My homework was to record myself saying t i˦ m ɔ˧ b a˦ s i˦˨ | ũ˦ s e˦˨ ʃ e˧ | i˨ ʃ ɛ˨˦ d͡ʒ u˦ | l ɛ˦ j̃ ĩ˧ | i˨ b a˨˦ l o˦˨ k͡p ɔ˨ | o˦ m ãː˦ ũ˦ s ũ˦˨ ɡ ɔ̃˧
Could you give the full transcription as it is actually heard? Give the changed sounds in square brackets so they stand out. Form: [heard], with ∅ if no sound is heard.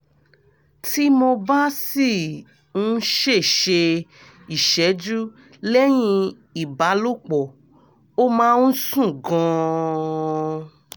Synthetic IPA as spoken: t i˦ m [o˧] b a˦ s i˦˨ | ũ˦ [ʃ] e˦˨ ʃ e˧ | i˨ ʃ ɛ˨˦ d͡ʒ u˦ | l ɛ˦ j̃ ĩ˧ | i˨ b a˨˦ l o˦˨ k͡p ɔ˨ | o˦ m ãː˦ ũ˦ s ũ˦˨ ɡ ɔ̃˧